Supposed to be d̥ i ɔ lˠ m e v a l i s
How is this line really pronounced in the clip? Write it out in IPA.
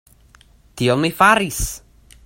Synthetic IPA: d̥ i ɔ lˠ m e f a ɾ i s